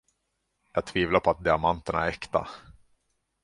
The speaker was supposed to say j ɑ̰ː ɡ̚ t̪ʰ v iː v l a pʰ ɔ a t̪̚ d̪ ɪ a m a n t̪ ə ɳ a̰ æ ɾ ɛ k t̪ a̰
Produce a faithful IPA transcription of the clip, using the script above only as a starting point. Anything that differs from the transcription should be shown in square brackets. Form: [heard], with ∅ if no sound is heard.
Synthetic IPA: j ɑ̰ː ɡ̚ t̪ʰ v iː v l a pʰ ɔ a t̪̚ d̪ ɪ a m a n t̪ ə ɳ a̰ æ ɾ ɛ k t̪ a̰

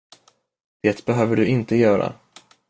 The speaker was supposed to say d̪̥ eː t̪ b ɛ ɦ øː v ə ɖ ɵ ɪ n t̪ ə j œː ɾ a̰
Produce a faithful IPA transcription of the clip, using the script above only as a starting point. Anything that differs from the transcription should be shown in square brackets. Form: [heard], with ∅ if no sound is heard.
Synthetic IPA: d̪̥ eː t̪ b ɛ ɦ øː v ə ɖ ɵ ɪ n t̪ ə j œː ɾ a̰

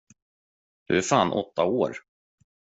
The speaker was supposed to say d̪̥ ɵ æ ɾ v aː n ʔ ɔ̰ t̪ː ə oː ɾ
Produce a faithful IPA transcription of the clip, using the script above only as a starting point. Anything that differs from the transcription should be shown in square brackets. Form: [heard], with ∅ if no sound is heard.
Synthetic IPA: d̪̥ ɵ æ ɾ [f] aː n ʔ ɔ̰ t̪ː [a] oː ɾ

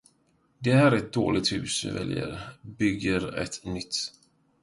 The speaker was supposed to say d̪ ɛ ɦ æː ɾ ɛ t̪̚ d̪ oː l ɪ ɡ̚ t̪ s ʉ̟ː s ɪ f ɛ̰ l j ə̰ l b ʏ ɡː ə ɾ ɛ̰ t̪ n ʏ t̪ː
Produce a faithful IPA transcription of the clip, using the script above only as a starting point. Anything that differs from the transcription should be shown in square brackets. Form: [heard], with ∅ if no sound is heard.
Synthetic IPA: d̪ ɛ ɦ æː ɾ ɛ t̪̚ d̪ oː l ɪ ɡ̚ t̪ [h] ʉ̟ː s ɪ [v] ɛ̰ l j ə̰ [ɾ] b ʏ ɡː ə ɾ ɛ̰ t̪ n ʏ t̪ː

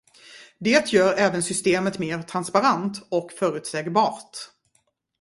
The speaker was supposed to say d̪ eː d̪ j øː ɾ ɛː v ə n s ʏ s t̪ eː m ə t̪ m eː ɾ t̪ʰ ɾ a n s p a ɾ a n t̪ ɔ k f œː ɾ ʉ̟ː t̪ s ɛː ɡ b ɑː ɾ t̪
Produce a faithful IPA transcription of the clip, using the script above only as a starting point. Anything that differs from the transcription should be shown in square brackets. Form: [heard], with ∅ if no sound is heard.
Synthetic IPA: d̪ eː [t̪] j [œː] ɾ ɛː v ə n s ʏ s t̪ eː m ə t̪ m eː ɾ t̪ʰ ɾ a n s p a ɾ a n t̪ ɔ k f œː ɾ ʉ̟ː t̪ s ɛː ɡ b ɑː ɾ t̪

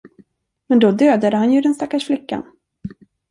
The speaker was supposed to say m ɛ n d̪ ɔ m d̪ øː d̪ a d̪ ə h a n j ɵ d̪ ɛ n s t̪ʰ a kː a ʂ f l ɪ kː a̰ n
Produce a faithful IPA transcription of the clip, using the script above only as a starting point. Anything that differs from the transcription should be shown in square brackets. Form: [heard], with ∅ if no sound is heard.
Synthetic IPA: m ɛ n d̪ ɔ [∅] d̪ øː d̪ a d̪ ə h a n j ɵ d̪ ɛ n s [t̪] a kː a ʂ f l ɪ kː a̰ n

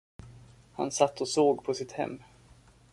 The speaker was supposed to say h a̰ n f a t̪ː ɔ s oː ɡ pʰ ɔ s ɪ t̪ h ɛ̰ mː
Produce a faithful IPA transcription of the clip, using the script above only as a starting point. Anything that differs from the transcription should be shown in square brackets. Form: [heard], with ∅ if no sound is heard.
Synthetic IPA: h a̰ n [s] a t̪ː ɔ s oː ɡ pʰ ɔ s ɪ t̪ h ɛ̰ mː

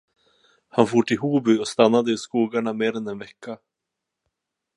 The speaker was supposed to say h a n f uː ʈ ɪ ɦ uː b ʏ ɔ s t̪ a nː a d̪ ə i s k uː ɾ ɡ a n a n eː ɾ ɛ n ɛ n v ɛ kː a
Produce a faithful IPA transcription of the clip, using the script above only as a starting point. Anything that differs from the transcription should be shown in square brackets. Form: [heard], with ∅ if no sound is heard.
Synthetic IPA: h a n f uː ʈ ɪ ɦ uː b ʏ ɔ s t̪ a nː a d̪ ə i s k uː [∅] ɡ a [ɳ] a [m] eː ɾ ɛ n ɛ n v ɛ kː a

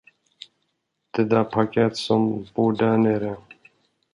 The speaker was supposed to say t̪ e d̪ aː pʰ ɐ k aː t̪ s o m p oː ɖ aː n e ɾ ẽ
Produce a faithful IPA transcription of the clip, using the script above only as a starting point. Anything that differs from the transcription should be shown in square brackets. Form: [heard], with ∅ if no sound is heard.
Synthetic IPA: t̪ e d̪ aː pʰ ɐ k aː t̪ s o m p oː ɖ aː n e ɾ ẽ

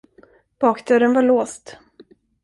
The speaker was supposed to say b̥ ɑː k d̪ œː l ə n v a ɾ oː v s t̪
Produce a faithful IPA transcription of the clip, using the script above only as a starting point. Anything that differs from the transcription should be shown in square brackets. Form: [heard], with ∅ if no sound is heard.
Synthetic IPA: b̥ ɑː k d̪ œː [ɾ] ə n v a [ɭ] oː [∅] s t̪

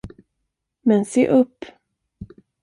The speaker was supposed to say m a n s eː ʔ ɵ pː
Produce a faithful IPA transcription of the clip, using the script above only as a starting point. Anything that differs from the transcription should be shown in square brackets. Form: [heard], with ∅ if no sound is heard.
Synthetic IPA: m [ɛ] n s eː ʔ ɵ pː

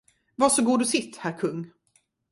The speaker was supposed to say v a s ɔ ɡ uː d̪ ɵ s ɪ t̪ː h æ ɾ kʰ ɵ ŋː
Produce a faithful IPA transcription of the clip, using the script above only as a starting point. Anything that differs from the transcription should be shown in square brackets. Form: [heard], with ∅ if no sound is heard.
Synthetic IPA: v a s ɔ ɡ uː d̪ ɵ s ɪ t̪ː h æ ɾ kʰ ɵ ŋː

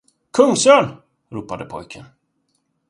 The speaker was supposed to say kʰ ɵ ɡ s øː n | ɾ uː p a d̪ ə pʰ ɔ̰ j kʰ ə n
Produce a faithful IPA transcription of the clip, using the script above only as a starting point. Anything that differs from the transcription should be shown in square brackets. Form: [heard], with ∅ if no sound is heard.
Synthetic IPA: kʰ ɵ [ŋ] s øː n | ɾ uː p a d̪ ə pʰ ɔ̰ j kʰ ə n

